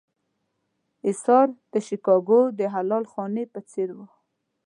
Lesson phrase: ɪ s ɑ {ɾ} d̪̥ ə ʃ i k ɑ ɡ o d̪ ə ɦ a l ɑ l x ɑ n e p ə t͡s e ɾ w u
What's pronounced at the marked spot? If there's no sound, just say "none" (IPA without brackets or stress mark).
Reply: ɾ